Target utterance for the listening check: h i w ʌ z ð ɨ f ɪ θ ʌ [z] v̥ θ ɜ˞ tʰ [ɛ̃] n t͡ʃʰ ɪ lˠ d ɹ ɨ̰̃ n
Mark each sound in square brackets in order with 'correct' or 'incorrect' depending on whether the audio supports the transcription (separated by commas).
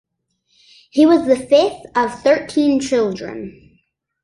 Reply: incorrect, incorrect